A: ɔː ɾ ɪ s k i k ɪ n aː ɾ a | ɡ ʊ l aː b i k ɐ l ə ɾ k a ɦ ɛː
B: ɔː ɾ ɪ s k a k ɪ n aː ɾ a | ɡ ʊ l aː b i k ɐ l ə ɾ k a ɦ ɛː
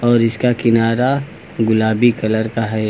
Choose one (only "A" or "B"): B